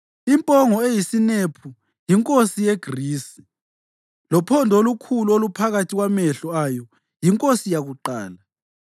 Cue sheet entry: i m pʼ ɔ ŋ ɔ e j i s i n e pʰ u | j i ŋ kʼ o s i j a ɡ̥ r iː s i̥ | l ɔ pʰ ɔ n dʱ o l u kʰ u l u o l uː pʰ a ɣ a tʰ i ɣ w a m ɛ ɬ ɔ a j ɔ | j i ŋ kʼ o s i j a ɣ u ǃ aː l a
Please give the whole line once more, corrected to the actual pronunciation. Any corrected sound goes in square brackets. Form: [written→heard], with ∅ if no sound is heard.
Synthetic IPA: i m pʼ ɔ ŋ ɔ e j i s i n e pʰ u | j i ŋ kʼ o s i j [a→e] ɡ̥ r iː s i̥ | l ɔ pʰ ɔ n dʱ o l u kʰ u l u o l [uː→u] pʰ a ɣ a tʰ i ɣ w a m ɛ ɬ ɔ a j ɔ | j i ŋ kʼ o s i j a ɣ u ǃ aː l a